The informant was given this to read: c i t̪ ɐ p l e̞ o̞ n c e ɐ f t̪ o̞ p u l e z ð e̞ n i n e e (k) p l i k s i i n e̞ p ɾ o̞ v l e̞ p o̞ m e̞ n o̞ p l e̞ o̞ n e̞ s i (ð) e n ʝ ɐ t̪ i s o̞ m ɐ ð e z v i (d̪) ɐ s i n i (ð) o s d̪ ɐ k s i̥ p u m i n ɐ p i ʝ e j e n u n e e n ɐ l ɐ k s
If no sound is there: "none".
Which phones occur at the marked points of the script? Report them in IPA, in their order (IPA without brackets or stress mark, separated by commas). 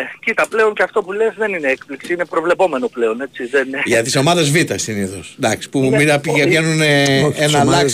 k, ð, t̪, θ